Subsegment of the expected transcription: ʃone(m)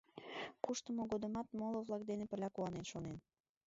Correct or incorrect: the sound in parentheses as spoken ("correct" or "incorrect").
incorrect